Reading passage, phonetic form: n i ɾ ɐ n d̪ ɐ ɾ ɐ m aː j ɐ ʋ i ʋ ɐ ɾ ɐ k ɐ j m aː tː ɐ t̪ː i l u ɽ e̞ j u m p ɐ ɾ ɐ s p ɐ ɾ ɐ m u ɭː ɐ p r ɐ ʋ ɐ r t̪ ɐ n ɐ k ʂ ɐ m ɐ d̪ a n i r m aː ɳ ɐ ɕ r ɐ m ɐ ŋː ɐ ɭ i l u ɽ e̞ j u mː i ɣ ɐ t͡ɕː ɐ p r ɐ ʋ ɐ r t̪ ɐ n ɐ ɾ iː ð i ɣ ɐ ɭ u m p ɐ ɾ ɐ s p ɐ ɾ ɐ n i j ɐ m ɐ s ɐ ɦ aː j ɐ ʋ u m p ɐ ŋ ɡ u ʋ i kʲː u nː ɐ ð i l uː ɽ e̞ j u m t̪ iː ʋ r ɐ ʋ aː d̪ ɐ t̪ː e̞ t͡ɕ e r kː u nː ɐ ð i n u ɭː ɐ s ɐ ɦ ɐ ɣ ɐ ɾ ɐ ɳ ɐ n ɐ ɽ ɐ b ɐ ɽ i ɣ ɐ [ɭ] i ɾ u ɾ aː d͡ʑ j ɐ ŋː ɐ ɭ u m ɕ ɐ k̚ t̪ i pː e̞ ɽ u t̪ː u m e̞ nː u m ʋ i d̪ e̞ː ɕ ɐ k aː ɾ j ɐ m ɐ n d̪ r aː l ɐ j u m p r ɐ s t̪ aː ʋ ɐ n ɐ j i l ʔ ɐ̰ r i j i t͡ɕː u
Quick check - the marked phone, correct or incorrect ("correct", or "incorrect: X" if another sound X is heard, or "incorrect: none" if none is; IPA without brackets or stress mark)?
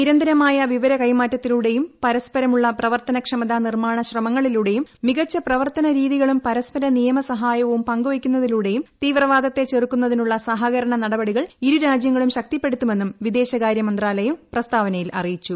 correct